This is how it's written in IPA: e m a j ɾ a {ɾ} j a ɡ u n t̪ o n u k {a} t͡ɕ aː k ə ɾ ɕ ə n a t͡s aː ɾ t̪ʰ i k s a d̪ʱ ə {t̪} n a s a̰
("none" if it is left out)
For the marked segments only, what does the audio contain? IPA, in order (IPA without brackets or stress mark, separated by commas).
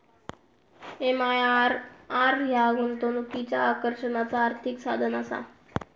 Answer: ɾ, i, none